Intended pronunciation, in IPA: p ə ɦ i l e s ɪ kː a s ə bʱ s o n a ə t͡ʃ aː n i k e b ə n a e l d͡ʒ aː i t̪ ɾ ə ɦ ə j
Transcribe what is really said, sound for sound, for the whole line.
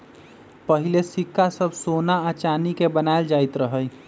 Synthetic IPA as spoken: p ə ɦ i l e s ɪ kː a s ə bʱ s o n a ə t͡ʃ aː n i k e b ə n a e l d͡ʒ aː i t̪ ɾ ə ɦ ə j